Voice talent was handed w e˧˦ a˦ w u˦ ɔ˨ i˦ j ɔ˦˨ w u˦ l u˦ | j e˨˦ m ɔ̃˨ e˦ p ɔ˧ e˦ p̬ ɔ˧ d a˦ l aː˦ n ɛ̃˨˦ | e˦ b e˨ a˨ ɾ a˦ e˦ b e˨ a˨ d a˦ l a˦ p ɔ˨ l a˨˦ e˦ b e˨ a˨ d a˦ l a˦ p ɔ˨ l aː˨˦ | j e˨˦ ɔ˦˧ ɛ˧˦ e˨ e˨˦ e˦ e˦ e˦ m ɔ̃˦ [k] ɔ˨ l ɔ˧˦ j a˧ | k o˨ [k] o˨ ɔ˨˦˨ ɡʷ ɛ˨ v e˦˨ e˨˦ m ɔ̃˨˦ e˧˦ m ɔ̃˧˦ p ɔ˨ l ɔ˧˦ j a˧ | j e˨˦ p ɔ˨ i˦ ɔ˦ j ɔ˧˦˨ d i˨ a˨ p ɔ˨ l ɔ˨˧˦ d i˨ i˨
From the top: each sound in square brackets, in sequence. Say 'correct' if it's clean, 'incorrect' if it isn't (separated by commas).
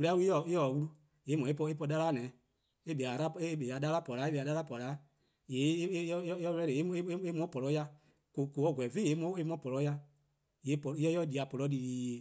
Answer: incorrect, correct